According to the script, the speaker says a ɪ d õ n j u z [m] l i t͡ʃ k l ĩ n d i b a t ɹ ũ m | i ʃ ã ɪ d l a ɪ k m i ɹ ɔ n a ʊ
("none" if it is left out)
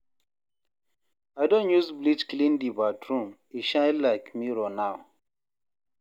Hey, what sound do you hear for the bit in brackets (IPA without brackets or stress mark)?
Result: b